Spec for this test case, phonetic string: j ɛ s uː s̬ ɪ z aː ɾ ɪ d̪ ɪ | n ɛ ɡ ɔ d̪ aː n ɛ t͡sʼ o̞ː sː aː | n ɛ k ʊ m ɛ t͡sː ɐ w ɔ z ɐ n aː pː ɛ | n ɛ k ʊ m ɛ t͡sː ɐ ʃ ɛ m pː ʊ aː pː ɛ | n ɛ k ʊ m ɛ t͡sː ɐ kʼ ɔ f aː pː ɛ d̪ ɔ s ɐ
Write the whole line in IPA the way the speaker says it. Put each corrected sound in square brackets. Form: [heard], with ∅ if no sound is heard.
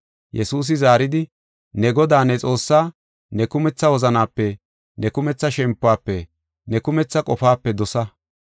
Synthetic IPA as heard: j ɛ s uː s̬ ɪ z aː ɾ ɪ d̪ ɪ | n ɛ ɡ ɔ d̪ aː n ɛ t͡sʼ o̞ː sː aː | n ɛ k ʊ m ɛ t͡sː ɐ w ɔ z ɐ n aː pː ɛ | n ɛ k ʊ m ɛ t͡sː ɐ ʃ ɛ m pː ʊ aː pː ɛ | n ɛ k ʊ m ɛ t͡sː ɐ kʼ ɔ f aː pː ɛ d̪ ɔ s ɐ